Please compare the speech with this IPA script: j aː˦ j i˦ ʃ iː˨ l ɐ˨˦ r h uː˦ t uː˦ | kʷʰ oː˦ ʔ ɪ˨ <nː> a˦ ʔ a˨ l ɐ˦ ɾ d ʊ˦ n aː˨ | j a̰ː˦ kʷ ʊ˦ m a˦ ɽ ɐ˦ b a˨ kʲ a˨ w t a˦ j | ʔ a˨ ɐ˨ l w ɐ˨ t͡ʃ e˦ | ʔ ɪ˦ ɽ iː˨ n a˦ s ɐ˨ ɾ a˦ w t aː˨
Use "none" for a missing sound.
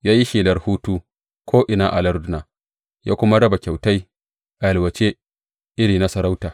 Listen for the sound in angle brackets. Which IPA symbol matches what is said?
n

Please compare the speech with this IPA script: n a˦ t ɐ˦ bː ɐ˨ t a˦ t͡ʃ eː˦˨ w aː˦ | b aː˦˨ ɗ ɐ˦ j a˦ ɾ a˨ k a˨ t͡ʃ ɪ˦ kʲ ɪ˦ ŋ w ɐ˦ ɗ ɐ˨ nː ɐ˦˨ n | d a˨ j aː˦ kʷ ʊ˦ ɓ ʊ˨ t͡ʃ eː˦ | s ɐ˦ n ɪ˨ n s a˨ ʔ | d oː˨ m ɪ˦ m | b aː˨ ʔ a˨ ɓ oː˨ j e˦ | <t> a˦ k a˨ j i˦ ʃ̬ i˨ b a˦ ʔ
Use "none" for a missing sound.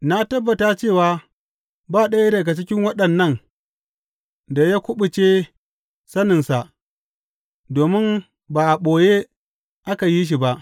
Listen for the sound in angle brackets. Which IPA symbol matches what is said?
ʔ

